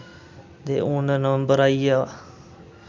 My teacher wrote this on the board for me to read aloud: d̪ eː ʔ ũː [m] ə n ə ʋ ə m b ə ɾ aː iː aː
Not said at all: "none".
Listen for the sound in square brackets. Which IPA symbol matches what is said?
n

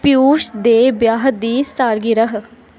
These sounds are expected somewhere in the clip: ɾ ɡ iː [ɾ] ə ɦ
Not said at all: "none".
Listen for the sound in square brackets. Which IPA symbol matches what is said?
ɾ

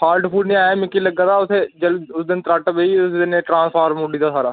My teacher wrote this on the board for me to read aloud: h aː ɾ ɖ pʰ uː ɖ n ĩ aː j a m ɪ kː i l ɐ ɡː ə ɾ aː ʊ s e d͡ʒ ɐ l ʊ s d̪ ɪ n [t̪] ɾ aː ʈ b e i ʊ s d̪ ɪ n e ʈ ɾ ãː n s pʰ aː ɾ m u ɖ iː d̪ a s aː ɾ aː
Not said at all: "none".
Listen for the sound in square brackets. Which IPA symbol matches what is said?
t̪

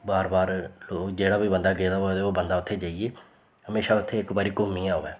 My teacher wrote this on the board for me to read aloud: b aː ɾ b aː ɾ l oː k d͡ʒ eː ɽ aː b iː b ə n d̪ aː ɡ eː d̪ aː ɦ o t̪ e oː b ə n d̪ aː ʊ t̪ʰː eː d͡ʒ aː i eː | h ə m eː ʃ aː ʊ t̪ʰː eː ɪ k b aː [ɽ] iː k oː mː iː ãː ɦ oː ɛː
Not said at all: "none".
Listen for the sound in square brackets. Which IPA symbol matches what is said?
ɾ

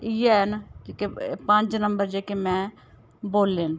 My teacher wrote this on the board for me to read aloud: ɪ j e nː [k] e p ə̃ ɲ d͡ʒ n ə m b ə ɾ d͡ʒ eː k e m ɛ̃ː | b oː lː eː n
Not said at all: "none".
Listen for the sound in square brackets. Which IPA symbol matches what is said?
k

